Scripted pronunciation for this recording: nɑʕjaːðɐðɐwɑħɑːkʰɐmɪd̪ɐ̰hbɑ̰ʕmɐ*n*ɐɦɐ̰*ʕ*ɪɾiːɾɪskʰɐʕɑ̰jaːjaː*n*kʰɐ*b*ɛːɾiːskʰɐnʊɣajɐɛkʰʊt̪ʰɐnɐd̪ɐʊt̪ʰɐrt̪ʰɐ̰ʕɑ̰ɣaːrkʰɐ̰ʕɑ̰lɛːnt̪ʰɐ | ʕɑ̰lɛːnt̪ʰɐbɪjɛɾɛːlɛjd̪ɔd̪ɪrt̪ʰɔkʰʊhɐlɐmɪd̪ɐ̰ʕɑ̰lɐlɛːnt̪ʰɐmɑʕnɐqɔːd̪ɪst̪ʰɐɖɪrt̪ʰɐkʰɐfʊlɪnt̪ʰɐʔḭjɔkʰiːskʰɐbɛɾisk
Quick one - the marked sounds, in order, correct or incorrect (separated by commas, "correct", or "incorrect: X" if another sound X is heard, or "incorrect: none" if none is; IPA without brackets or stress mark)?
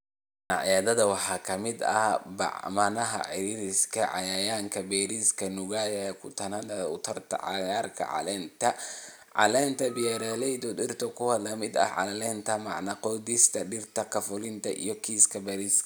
correct, correct, incorrect: ŋ, correct